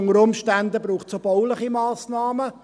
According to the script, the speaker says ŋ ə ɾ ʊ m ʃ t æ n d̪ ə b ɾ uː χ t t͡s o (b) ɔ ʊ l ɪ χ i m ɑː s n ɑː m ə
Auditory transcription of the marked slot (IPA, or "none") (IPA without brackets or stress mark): b